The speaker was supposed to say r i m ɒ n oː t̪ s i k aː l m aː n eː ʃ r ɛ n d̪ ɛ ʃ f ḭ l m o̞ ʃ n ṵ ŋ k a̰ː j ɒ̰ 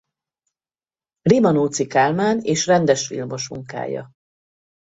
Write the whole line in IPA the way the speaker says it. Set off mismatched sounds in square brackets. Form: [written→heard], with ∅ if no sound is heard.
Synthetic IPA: r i m ɒ n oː t̪ s i k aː l m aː n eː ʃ r ɛ n d̪ ɛ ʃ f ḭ l m o̞ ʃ [n→m] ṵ ŋ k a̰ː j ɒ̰